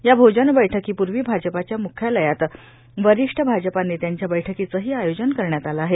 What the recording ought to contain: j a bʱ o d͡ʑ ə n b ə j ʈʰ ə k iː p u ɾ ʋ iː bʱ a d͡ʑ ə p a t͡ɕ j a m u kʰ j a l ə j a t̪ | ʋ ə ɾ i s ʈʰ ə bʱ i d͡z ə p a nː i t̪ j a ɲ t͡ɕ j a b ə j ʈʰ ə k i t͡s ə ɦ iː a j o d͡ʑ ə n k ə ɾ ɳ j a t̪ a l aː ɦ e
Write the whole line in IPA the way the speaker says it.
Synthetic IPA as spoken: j a bʱ o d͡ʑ ə n b ə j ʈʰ ə k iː p u ɾ ʋ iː bʱ a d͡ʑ ə p a t͡ɕ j a m u kʰ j a l ə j a t̪ | ʋ ə ɾ i ʂ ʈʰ ə bʱ a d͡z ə p a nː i t̪ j a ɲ t͡ɕ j a b ə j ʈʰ ə k i t͡s ə ɦ iː a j o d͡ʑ ə n k ə ɾ ɳ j a t̪ a l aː ɦ e